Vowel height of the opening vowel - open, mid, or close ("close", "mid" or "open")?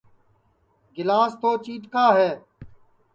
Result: close